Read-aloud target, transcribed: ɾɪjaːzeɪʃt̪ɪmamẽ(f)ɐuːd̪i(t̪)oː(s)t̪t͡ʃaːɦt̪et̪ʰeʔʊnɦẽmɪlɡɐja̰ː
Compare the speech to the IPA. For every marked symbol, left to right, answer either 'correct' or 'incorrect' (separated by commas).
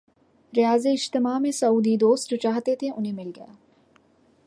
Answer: incorrect, incorrect, correct